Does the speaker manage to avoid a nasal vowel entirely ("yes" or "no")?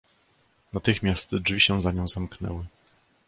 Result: no